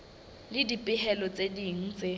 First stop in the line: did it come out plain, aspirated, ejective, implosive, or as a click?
plain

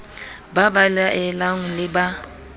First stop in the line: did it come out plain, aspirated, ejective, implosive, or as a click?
plain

